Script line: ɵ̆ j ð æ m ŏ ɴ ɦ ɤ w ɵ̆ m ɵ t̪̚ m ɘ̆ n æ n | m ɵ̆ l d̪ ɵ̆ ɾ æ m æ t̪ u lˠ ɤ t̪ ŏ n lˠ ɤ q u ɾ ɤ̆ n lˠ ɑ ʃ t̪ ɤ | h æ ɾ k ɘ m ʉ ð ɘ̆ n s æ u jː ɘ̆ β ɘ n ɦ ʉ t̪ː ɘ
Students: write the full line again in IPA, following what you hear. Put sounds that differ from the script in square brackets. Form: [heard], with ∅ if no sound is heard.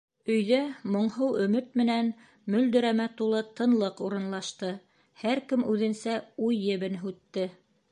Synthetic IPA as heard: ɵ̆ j ð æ m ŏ ɴ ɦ ɤ w ɵ̆ m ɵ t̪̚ m ɘ̆ n æ n | m ɵ̆ l d̪ ɵ̆ ɾ æ m æ t̪ u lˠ ɤ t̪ [ɤ̆] n lˠ ɤ q u ɾ ɤ̆ n lˠ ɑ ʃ t̪ ɤ | h æ ɾ k ɘ m ʉ ð ɘ̆ n s æ u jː ɘ̆ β ɘ n ɦ ʉ t̪ː ɘ